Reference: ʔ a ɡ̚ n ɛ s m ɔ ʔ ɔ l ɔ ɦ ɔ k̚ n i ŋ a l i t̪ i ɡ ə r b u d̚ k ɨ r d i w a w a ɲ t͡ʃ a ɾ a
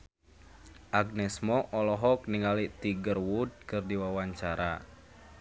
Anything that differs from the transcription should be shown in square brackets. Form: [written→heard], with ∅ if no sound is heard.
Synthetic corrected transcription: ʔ a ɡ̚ n ɛ s m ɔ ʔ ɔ l ɔ ɦ ɔ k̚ n i ŋ a l i t̪ i ɡ ə r [b→w] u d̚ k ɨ r d i w a w a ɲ t͡ʃ a ɾ a